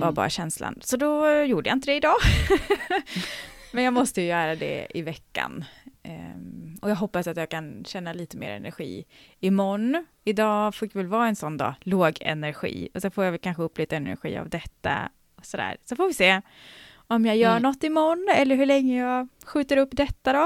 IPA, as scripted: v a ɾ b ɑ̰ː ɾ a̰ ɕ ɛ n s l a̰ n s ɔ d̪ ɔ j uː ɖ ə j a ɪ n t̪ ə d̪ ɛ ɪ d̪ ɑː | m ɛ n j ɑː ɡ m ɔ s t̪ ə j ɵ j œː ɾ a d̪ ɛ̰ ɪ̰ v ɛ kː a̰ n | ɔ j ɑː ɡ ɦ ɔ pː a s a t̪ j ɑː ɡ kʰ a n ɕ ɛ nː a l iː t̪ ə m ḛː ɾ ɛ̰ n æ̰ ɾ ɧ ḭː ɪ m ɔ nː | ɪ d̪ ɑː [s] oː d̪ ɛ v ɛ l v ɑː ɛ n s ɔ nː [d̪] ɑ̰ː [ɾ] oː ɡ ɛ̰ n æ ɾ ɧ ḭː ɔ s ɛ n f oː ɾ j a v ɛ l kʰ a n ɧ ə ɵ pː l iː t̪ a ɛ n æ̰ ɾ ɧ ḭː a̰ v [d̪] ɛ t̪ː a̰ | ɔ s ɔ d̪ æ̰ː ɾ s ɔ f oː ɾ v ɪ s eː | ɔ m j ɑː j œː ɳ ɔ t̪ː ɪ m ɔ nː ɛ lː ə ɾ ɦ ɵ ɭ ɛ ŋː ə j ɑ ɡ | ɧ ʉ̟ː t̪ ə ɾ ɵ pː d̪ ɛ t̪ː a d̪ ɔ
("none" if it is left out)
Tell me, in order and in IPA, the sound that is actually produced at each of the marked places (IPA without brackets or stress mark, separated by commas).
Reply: f, d̪, l, d̪